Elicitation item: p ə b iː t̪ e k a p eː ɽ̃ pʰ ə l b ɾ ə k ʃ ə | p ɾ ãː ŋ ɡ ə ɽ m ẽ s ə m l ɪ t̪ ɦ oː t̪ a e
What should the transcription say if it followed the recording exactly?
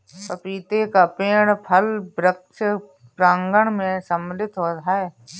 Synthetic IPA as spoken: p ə p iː t̪ e k a p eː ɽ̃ pʰ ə l b ɾ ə k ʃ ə | p ɾ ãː ŋ ɡ ə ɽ m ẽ s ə m l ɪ t̪ ɦ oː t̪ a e